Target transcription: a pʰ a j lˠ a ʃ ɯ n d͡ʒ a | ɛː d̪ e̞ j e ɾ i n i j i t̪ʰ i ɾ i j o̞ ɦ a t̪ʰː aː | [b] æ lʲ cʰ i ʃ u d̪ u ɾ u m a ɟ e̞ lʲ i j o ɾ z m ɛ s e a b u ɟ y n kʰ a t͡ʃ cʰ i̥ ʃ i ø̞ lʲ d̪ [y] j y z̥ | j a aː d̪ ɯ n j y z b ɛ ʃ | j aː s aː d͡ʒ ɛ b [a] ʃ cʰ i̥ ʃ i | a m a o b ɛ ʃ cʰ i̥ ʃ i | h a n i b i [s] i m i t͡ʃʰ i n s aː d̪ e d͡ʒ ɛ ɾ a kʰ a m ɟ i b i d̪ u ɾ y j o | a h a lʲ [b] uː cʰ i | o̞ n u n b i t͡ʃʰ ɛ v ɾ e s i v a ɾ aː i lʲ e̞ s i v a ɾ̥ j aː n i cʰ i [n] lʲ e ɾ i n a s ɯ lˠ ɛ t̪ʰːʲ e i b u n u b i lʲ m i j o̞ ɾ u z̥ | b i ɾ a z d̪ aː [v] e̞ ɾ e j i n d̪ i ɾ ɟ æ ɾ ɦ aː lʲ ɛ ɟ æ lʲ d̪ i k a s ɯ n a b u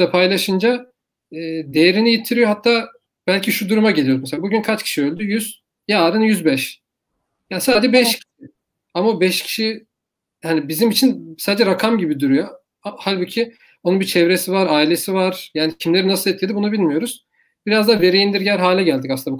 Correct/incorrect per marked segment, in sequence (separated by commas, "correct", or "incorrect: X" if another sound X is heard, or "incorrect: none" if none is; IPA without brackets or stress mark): correct, correct, incorrect: ɛ, incorrect: z, correct, incorrect: m, correct